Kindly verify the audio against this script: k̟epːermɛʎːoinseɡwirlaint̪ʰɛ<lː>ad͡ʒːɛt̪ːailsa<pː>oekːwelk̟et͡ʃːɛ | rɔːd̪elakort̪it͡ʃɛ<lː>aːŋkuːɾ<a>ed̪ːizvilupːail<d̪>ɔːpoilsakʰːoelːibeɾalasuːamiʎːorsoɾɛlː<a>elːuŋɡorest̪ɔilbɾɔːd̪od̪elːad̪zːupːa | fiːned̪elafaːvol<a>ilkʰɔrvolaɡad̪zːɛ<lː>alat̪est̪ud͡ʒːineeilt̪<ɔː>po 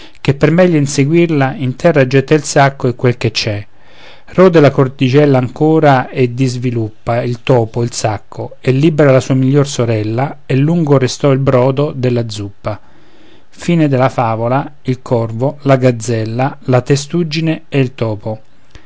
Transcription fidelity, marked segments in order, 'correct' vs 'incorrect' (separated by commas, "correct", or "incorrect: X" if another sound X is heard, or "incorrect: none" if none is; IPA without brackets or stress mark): incorrect: rː, incorrect: kː, correct, correct, incorrect: t̪, correct, correct, correct, correct